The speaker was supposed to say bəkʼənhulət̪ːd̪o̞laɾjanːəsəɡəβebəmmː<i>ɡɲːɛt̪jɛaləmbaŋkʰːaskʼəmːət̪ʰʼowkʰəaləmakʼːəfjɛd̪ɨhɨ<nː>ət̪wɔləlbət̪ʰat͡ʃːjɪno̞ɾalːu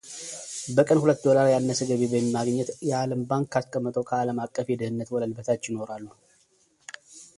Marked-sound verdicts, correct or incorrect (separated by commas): incorrect, correct